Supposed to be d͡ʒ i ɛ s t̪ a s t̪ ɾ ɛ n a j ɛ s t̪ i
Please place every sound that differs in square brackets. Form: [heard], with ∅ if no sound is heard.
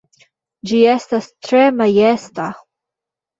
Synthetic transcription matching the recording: d͡ʒ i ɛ s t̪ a s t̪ ɾ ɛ [m] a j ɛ s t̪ [a]